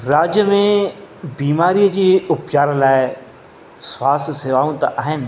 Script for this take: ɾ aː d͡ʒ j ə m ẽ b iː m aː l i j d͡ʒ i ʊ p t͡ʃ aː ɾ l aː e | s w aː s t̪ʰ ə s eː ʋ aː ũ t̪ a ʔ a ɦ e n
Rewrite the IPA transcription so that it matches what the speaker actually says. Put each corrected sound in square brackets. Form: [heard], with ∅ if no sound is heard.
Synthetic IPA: ɾ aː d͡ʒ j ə m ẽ b iː m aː [ɾ] i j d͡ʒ i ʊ p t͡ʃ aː ɾ l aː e | s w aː s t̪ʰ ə s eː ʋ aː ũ t̪ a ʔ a ɦ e n